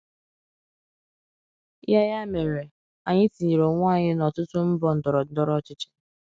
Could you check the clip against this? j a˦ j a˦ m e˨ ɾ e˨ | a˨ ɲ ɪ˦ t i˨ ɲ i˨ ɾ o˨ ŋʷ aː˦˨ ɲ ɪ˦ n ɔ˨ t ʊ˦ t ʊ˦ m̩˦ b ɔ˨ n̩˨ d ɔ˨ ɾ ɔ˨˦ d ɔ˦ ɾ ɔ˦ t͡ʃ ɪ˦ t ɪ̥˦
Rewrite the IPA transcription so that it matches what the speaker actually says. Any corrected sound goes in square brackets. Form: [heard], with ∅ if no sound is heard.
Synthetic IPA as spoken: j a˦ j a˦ m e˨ ɾ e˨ | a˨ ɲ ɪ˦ t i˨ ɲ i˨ ɾ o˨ ŋʷ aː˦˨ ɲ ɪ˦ n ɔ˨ t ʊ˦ t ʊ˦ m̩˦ b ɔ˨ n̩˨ d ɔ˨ ɾ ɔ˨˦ d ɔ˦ ɾ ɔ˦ t͡ʃ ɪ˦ [t͡ʃ] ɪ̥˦